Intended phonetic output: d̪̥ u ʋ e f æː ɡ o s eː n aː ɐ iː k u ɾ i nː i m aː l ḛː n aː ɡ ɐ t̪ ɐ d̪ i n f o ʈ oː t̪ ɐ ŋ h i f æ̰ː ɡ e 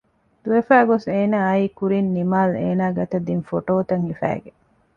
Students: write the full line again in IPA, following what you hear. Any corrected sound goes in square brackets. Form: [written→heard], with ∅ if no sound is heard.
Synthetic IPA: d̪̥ u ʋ e f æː ɡ o s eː n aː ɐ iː k u ɾ i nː i m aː l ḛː n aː ɡ ɐ t̪ ɐ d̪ i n f o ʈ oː t̪ ɐ ŋ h i f æ̰ː ɡ e